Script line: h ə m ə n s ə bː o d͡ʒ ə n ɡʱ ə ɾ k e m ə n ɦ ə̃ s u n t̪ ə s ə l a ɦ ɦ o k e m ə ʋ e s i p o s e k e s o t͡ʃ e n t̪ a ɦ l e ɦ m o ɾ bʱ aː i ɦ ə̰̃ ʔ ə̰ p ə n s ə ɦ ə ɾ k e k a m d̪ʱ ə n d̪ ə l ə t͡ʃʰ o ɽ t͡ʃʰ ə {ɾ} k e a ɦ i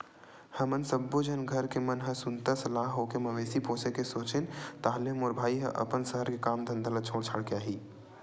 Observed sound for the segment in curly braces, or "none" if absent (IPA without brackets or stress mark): ɽ